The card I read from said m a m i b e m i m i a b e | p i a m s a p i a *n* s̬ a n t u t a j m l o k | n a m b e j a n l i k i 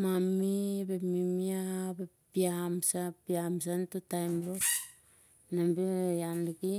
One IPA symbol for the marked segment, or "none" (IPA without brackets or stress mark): m